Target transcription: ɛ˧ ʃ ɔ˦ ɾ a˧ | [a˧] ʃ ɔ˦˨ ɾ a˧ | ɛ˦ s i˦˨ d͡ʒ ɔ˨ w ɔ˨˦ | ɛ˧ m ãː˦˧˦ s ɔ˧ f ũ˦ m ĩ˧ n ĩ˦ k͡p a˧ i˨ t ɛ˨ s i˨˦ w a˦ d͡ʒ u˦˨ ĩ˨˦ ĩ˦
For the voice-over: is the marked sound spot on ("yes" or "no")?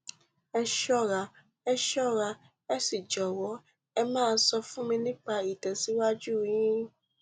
no